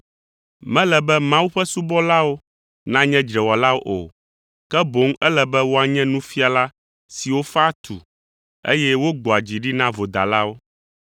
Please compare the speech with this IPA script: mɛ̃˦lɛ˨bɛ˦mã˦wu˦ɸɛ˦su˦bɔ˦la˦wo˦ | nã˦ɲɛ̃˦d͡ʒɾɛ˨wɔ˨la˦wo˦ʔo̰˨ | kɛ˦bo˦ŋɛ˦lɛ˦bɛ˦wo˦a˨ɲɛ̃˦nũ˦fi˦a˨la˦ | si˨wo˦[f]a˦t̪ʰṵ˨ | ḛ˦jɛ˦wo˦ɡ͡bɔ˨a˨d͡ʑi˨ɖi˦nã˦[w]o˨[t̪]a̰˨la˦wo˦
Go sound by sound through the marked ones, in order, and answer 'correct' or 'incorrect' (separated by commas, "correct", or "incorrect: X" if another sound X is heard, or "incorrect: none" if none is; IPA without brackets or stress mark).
correct, incorrect: v, incorrect: d̪